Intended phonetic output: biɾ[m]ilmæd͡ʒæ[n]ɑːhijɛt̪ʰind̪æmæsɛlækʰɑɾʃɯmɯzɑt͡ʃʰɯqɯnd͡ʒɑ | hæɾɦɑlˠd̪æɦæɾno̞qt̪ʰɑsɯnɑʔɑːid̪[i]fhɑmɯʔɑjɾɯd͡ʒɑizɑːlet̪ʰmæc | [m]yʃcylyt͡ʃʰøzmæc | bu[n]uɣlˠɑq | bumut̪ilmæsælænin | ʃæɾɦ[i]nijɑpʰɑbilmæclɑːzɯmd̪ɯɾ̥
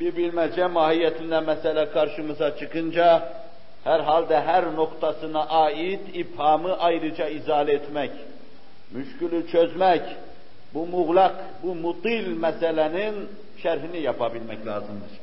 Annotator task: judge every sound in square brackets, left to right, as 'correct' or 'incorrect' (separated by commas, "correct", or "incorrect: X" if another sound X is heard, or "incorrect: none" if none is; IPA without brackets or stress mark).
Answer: incorrect: b, incorrect: m, correct, correct, incorrect: m, correct